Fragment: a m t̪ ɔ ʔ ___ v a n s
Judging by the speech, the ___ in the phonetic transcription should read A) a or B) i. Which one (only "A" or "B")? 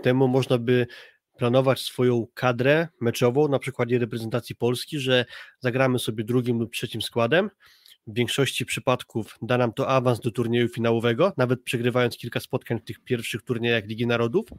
A